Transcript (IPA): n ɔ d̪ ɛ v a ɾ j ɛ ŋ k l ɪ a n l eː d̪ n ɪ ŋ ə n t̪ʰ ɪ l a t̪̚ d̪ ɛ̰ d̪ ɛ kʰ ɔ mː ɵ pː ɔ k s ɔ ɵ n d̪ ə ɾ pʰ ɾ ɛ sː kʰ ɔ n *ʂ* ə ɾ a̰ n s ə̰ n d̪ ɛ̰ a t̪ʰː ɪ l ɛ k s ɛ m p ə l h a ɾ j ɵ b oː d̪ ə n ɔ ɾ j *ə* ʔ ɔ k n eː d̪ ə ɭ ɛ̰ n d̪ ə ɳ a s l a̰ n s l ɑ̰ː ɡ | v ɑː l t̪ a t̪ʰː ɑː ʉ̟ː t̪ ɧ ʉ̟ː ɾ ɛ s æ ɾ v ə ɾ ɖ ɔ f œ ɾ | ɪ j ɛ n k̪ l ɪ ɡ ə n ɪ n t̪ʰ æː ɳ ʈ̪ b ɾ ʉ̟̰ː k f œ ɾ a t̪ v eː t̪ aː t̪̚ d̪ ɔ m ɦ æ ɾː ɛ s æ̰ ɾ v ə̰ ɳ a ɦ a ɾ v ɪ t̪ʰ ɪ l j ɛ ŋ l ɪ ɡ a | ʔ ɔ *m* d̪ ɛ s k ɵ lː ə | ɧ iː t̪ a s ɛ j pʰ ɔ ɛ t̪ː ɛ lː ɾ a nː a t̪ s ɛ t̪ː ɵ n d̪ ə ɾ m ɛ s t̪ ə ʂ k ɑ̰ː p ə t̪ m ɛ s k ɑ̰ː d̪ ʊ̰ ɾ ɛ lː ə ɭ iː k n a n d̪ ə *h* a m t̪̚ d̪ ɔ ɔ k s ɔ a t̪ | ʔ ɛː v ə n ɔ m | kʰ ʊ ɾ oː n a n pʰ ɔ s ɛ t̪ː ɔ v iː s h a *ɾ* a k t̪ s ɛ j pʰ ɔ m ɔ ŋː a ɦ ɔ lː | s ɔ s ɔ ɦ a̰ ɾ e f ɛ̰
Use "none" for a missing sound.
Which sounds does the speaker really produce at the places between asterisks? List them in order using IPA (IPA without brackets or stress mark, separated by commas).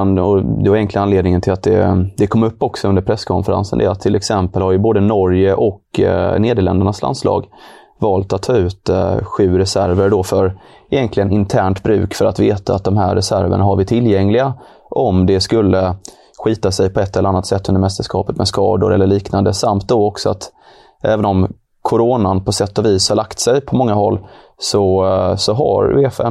f, ə, m, s, ɭ